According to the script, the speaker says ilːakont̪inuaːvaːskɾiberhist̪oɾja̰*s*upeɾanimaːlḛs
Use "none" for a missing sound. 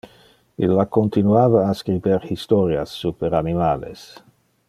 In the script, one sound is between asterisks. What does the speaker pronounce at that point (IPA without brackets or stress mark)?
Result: sː